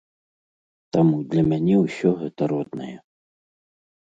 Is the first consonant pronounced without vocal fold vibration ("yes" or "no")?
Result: yes